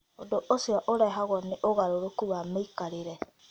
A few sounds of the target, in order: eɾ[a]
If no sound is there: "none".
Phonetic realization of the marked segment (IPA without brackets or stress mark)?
ɛ